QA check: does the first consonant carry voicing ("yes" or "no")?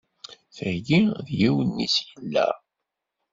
no